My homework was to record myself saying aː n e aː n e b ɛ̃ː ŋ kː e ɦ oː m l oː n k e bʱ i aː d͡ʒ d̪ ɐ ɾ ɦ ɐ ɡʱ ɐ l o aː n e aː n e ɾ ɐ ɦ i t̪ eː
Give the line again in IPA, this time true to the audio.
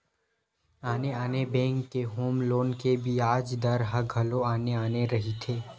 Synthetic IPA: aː n e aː n e b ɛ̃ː ŋ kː e ɦ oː m l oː n k e bʱ i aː d͡ʒ d̪ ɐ ɾ ɦ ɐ ɡʱ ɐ l o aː n e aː n e ɾ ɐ ɦ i t̪ʰ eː